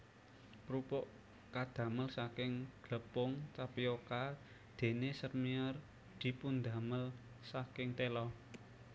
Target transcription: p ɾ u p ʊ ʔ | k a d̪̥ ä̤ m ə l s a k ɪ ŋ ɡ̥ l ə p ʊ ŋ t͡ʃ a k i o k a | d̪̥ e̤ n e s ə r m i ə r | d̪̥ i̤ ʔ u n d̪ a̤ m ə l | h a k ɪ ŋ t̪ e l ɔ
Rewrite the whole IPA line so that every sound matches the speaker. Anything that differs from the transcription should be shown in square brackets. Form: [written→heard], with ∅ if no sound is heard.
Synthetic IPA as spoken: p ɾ u p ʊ ʔ | k a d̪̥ ä̤ m ə l s a k ɪ ŋ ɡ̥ l ə p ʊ ŋ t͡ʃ a [k→p] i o k a | d̪̥ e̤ n e s ə r m i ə r | d̪̥ i̤ [ʔ→p] u n d̪ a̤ m ə l | [h→s] a k ɪ ŋ t̪ e l ɔ